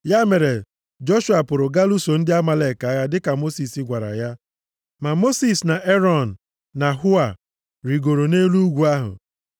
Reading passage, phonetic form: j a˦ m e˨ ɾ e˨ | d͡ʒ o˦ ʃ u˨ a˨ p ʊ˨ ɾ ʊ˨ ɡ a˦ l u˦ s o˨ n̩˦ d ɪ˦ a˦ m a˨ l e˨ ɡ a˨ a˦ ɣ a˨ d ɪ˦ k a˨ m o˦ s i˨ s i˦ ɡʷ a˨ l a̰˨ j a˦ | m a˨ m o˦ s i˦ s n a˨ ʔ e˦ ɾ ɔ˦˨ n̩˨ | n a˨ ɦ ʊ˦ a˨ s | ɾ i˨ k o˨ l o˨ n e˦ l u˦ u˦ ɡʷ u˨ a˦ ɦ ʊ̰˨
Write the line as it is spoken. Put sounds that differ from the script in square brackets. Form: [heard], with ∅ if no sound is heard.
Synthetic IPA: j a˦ m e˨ ɾ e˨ | d͡ʒ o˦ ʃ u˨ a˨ p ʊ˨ ɾ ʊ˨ ɡ a˦ l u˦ s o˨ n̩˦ d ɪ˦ a˦ m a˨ l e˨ [k] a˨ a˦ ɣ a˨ d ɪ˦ k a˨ m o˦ s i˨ s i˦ ɡʷ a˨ [ɾ] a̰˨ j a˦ | m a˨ m o˦ s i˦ s n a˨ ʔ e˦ ɾ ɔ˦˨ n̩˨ | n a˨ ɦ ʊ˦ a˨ [∅] | ɾ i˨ [ɡ] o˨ [ɾ] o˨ n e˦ l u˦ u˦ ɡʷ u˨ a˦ ɦ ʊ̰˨